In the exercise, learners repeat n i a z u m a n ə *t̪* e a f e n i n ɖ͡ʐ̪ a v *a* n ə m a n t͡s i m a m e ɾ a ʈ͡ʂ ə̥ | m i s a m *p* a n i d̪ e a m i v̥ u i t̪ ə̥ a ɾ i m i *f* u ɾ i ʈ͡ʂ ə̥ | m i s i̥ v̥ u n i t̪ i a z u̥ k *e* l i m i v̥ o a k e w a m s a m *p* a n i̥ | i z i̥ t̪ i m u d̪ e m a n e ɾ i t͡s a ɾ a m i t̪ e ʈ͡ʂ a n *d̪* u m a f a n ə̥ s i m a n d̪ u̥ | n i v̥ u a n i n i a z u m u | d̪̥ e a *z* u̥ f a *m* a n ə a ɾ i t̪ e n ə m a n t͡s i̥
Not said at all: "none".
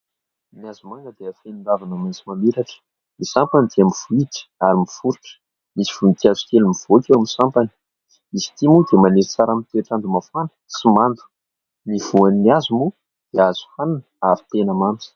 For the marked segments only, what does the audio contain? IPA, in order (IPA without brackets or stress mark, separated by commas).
d̪, a, p, f, e, p, d̪, z, n